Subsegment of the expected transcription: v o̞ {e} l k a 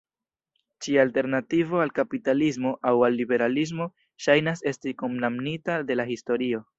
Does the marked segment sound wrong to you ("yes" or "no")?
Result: yes